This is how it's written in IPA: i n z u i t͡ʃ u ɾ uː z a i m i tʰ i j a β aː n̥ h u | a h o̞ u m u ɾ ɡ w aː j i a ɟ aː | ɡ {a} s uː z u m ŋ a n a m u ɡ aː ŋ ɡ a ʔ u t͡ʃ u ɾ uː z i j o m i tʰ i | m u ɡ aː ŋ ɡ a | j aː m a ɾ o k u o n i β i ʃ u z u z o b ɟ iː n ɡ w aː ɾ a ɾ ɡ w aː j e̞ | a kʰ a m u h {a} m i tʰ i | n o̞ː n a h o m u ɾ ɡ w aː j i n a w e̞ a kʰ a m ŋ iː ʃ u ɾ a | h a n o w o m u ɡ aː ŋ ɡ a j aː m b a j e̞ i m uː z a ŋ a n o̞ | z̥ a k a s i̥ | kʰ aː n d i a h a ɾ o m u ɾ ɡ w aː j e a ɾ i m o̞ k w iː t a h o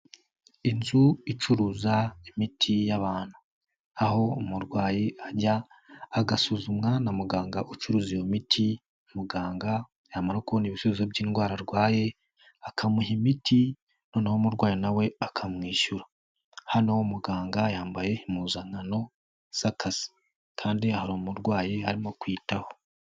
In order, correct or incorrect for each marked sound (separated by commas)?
correct, incorrect